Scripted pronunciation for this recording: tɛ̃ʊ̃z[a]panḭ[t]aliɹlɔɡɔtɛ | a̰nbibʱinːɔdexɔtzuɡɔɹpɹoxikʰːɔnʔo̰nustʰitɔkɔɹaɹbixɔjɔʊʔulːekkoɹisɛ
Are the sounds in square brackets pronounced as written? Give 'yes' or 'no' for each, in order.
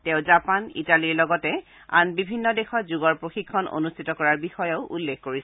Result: yes, yes

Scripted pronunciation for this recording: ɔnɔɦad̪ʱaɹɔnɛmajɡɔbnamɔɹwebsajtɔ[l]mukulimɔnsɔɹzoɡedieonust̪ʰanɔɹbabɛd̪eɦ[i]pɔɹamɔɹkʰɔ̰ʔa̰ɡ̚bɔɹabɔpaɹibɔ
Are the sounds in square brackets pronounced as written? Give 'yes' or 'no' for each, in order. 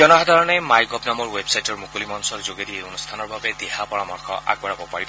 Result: no, no

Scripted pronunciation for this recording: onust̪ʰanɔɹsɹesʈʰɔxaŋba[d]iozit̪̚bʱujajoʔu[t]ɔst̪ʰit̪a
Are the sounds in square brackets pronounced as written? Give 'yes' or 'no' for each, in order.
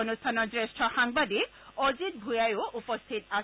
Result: yes, no

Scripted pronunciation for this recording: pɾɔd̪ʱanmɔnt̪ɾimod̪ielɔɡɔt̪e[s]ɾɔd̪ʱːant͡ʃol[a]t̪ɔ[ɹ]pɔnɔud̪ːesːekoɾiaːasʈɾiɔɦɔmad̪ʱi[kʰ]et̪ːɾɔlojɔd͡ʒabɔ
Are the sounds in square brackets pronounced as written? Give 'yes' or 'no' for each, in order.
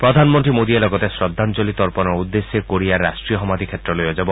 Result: yes, no, no, yes

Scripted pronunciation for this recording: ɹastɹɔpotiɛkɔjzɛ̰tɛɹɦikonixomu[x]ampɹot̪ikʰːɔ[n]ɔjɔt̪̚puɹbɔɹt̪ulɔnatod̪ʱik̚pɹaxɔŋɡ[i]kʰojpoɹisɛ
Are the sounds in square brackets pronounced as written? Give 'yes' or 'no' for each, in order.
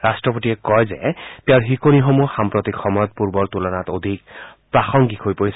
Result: yes, no, yes

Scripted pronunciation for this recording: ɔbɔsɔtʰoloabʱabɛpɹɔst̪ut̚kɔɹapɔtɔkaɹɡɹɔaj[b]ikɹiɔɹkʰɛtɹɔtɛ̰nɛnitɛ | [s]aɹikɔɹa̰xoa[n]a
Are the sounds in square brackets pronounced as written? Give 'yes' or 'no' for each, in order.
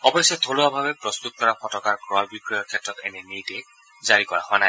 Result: yes, no, yes

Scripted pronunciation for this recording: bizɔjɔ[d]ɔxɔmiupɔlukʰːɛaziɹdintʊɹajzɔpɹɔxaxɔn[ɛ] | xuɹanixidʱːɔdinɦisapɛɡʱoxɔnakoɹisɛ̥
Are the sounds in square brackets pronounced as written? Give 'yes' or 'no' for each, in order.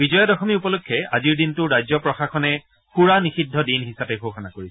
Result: yes, yes

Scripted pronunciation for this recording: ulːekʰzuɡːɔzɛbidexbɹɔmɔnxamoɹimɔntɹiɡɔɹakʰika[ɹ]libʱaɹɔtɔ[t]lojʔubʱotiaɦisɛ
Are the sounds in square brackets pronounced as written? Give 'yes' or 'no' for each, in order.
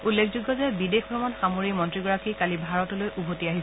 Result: no, no

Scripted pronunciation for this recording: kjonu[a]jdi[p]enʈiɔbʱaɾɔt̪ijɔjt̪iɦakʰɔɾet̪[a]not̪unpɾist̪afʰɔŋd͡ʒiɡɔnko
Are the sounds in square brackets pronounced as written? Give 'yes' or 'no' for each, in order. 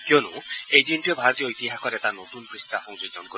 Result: no, no, yes

